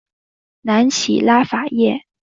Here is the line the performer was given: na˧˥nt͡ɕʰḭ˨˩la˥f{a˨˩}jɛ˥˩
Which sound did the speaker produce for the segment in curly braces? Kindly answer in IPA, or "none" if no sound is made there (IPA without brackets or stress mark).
a˨˩